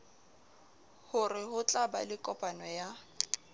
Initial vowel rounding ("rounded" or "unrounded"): rounded